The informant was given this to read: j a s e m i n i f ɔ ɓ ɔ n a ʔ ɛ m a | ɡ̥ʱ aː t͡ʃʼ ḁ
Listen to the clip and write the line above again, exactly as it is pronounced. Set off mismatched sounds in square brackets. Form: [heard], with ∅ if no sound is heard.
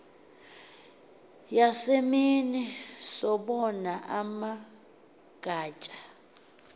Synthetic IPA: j a s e m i n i [s] ɔ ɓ ɔ n a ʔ [a] m a | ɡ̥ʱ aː t͡ʃʼ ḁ